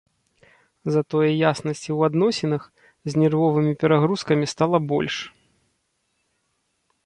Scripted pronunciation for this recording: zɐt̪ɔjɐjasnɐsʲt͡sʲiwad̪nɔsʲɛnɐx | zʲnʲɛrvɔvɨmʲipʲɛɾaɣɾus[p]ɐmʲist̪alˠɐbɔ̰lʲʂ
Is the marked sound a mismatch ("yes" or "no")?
yes